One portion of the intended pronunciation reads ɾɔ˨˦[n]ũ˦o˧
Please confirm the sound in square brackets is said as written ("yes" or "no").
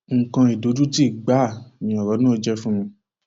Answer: yes